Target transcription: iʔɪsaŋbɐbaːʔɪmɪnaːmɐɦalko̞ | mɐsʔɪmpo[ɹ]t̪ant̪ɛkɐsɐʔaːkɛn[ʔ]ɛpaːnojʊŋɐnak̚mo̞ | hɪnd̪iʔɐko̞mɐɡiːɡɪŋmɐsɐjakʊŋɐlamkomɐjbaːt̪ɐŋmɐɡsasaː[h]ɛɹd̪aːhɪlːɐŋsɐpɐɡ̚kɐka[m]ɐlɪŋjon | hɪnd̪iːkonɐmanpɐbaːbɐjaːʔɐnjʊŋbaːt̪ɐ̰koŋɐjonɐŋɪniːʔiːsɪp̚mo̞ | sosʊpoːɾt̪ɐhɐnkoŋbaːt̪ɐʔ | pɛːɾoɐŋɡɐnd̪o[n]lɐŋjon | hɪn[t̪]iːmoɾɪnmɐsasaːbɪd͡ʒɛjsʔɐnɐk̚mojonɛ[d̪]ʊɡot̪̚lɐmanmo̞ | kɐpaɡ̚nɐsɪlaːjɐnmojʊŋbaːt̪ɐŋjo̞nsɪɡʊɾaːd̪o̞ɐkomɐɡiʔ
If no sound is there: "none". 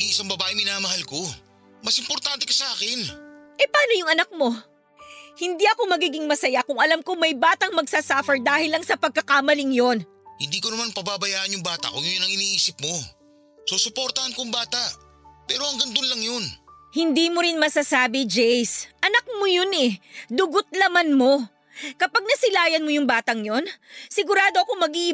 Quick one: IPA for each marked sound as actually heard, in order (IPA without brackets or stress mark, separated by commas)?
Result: ɾ, ʔ, f, m, n, d̪, d̪